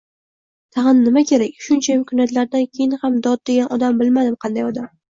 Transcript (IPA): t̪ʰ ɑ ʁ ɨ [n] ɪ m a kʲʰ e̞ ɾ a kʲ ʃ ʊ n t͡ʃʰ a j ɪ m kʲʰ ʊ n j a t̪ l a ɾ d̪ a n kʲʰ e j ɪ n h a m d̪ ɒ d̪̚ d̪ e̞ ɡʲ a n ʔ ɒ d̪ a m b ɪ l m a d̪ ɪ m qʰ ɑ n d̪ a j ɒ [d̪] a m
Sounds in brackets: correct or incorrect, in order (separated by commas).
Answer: incorrect, correct